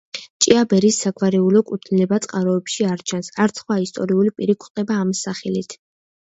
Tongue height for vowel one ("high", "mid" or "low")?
high